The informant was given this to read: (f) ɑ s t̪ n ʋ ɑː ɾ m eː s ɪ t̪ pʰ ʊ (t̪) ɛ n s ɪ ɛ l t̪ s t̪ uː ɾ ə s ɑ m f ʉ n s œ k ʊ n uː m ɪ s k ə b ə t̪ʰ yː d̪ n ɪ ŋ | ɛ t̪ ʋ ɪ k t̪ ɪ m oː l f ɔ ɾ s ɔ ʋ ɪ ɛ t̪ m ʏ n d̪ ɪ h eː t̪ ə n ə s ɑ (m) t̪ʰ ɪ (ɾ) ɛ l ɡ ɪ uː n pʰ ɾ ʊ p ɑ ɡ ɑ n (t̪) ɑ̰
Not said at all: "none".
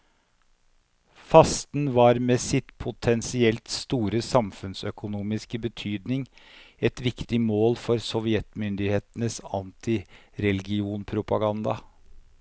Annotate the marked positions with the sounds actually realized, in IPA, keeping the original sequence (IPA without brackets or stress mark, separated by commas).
f, t̪ʰ, n, ɾ, d̪